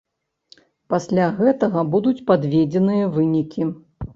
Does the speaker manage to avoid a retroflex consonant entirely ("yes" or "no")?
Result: yes